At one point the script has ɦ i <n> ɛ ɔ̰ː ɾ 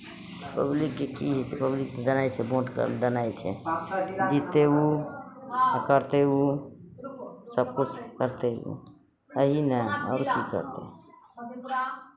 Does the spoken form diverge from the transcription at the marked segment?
no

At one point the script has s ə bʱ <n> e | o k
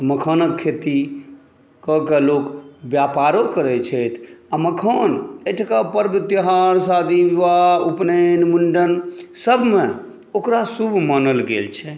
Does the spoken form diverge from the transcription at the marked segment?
yes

